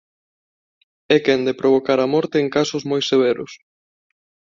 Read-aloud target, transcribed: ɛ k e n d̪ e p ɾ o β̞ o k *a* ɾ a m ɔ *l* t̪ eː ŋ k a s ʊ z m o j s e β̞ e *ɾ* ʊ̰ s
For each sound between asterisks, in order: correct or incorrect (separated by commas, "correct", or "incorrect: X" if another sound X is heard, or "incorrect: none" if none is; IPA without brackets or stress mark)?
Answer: correct, incorrect: ɾ, correct